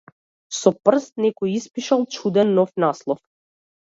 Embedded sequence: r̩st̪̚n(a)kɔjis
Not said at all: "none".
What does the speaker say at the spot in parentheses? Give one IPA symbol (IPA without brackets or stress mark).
ɛ